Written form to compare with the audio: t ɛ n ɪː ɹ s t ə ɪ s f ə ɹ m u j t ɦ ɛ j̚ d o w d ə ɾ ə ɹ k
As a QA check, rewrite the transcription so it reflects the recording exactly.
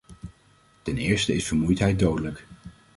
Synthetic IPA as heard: t ɛ n ɪː ɹ s t ə ɪ s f ə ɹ m u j t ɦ ɛ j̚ d o w d ə l ə k